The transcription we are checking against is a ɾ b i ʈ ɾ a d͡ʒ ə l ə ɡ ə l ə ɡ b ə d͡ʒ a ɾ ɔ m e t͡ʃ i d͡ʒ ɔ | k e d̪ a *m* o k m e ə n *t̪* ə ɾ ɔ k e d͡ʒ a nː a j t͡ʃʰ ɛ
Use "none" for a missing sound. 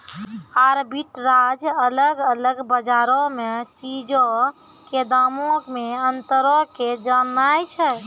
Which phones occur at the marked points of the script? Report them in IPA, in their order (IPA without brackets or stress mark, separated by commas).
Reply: m, t̪